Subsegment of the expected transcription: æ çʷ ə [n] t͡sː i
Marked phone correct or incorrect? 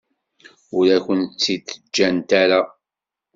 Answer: correct